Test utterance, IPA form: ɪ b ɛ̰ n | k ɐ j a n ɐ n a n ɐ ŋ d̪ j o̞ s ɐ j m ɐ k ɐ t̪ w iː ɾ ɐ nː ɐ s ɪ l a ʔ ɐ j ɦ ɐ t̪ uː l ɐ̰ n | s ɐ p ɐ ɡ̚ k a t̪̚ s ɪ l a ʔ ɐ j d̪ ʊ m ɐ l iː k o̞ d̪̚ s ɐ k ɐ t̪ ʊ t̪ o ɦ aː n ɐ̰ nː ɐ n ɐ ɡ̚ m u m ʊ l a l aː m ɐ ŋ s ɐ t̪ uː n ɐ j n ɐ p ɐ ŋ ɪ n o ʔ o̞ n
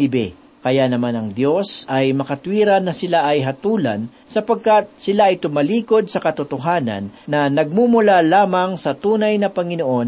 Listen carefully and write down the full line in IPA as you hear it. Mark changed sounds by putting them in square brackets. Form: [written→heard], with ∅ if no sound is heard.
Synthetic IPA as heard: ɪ b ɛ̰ [n→∅] | k ɐ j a n ɐ [n→m] a n ɐ ŋ d̪ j o̞ s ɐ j m ɐ k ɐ t̪ w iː ɾ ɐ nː ɐ s ɪ l a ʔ ɐ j ɦ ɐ t̪ uː l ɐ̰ n | s ɐ p ɐ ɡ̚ k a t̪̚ s ɪ l a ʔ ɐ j [d̪→t̪] ʊ m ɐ l iː k o̞ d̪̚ s ɐ k ɐ t̪ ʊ t̪ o ɦ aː n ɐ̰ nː ɐ n ɐ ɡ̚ m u m ʊ l a l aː m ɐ ŋ s ɐ t̪ uː n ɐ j n ɐ p ɐ ŋ ɪ n o ʔ o̞ n